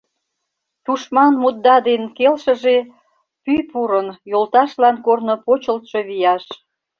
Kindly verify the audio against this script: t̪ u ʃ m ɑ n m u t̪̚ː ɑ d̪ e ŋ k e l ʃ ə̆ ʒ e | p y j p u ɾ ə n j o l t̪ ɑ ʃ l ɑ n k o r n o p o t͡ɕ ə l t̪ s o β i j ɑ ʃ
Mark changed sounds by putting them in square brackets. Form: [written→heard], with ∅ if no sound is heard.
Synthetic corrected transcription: t̪ u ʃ m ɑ n m u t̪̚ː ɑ d̪ e [ŋ→n] k e l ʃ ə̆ ʒ e | p y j p u ɾ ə n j o l t̪ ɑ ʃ l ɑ n k o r n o p o t͡ɕ ə l t̪ [s→ʃ] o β i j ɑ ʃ